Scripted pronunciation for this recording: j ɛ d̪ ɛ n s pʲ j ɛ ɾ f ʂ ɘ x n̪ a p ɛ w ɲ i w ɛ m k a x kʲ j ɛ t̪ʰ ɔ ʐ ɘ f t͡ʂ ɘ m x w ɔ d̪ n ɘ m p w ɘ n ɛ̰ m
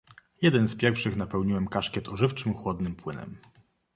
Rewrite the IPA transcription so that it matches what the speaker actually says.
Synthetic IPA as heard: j ɛ d̪ ɛ n s pʲ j ɛ ɾ f ʂ ɘ x n̪ a p ɛ w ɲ i w ɛ m k a ʂ kʲ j ɛ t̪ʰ ɔ ʐ ɘ f t͡ʂ ɘ m x w ɔ d̪ n ɘ m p w ɘ n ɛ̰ m